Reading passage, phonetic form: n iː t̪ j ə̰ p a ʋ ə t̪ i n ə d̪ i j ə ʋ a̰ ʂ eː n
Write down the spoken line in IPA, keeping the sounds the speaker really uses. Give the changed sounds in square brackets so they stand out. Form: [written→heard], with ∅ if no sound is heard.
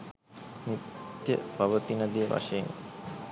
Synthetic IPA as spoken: n [iː→i] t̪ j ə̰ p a ʋ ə t̪ i n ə d̪ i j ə ʋ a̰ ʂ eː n